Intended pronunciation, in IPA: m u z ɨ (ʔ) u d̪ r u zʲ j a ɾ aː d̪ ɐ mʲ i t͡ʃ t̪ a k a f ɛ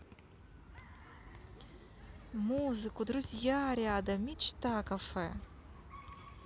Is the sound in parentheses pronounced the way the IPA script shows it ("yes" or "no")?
no